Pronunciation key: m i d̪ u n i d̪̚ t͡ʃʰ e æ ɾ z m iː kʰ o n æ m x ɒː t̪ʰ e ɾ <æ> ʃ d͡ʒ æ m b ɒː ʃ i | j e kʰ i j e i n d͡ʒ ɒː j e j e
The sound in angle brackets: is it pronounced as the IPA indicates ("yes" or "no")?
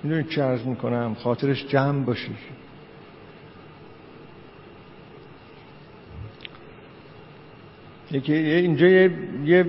no